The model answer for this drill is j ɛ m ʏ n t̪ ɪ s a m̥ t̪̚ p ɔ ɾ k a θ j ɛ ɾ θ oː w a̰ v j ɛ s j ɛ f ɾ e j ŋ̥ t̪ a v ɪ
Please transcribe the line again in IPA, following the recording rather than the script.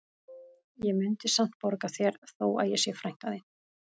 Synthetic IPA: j ɛ m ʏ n t̪ ɪ s a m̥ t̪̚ p ɔ ɾ k a θ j ɛ ɾ θ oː w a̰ ð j ɛ s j ɛ f ɾ a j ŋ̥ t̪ a ð ɪ